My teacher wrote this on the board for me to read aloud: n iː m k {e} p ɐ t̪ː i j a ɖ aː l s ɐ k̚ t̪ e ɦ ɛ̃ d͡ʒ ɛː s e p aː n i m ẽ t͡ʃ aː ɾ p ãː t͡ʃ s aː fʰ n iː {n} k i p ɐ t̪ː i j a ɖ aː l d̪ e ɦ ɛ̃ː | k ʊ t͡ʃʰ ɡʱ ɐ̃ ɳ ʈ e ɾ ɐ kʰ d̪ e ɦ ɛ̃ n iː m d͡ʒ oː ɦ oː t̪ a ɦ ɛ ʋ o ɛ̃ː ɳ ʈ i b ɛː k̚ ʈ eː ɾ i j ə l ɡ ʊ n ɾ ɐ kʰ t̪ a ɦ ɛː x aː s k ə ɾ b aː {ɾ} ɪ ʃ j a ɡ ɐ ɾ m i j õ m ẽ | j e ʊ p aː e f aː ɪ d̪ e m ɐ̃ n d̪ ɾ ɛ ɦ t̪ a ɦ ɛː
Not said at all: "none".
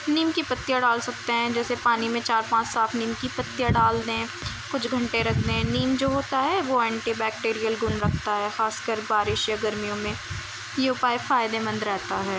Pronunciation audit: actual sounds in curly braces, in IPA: i, m, ɾ

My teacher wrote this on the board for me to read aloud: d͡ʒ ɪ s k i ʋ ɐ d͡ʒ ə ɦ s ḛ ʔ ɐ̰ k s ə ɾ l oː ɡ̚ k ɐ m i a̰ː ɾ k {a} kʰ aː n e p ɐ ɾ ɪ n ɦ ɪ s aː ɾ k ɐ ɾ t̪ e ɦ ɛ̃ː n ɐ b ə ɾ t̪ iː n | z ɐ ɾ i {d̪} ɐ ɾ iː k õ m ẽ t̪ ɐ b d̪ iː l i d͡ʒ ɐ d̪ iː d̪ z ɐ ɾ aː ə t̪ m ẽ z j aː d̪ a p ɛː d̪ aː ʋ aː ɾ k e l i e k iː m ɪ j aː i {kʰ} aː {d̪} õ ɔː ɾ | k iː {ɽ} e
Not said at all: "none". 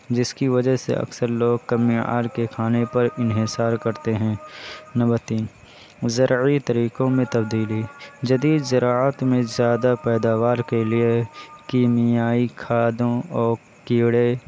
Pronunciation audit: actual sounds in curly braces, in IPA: e, t̪, kʰ, d̪, ɽ

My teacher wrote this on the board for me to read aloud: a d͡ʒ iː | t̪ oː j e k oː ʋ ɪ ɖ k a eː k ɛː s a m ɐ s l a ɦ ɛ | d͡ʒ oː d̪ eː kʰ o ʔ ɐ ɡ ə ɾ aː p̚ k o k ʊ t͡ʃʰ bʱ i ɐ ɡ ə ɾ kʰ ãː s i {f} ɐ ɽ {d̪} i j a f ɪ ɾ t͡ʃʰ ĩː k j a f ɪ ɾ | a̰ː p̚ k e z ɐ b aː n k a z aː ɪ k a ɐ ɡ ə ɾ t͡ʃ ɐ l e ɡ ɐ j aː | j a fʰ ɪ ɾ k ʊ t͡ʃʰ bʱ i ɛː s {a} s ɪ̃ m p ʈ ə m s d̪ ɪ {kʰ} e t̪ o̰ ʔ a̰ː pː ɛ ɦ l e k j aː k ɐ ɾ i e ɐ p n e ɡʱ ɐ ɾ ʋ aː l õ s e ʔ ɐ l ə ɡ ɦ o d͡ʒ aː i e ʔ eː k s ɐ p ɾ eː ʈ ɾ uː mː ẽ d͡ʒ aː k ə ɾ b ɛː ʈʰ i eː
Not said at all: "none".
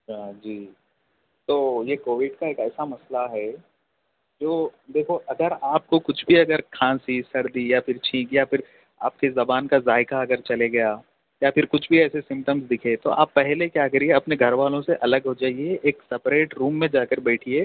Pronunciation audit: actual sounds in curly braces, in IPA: s, d̪, e, kʰ

